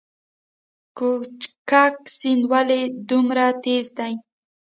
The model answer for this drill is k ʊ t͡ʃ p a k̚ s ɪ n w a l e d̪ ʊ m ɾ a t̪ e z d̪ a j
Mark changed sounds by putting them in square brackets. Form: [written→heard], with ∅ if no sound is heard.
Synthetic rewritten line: k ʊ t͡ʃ [p→k] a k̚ s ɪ n w a l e d̪ ʊ m ɾ a t̪ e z d̪ a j